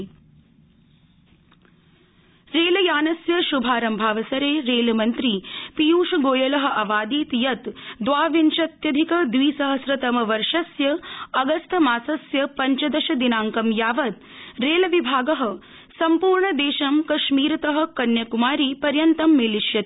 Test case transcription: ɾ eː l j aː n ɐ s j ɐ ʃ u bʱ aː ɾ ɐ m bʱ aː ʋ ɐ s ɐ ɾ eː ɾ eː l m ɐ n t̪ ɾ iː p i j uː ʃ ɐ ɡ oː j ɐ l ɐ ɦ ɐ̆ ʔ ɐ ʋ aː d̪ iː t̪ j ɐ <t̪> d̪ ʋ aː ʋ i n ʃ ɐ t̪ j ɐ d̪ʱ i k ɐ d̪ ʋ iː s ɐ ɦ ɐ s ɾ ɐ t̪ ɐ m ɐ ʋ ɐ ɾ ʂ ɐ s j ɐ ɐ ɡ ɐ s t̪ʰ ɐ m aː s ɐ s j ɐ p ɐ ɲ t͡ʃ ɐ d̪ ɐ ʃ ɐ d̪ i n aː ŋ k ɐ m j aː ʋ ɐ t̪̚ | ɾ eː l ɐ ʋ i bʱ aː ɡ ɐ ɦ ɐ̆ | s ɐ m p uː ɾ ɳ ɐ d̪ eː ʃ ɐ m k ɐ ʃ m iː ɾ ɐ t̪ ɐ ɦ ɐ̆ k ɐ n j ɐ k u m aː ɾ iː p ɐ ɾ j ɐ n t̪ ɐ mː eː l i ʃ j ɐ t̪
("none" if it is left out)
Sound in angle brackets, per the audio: t̪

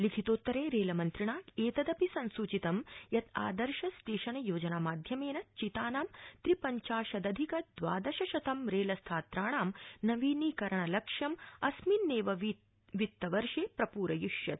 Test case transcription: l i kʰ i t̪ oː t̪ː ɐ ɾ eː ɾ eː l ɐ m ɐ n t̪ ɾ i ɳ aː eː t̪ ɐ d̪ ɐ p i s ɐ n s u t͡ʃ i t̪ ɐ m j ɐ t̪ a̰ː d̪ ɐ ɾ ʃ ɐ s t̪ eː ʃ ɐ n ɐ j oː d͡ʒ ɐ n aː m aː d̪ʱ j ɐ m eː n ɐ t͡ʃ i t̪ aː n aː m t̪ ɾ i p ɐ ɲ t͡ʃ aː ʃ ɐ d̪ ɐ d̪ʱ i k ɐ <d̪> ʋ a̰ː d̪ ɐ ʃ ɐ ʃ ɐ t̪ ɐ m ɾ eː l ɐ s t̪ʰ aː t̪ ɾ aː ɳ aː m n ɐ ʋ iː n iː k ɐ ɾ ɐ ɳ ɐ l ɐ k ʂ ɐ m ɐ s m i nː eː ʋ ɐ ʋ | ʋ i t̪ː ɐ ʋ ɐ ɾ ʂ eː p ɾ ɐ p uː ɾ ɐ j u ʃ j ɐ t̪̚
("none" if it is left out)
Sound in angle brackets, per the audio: d̪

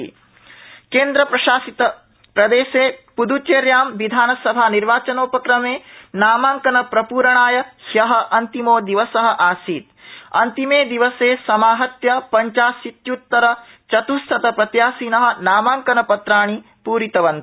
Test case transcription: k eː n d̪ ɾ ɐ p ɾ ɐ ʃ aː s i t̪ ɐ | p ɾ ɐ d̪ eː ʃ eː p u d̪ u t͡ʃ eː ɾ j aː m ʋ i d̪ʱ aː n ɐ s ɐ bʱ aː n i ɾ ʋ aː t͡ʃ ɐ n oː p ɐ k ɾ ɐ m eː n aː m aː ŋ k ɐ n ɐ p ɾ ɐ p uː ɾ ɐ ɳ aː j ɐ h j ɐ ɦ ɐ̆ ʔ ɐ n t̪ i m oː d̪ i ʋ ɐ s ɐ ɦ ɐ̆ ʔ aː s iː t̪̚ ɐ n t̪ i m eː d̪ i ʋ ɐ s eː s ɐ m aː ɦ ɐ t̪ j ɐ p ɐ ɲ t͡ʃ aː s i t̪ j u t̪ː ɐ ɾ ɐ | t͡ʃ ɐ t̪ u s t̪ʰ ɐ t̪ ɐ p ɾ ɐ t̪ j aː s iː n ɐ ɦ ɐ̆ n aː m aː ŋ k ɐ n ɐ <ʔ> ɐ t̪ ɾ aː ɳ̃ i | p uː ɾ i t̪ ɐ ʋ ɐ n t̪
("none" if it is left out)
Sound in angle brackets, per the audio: p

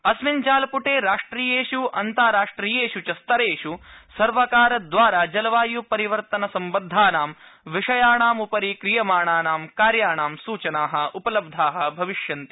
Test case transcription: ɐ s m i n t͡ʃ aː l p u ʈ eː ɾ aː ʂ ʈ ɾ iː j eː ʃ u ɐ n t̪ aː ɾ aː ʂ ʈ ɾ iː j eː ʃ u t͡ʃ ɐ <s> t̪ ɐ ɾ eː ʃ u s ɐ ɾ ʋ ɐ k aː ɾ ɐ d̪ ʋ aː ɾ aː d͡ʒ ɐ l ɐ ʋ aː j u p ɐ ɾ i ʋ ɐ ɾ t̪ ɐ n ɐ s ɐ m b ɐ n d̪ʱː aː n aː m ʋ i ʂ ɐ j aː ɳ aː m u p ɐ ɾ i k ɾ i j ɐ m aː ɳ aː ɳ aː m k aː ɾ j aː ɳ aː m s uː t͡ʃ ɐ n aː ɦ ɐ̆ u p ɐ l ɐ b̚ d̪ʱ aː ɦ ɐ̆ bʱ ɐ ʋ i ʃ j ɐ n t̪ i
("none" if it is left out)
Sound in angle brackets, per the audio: s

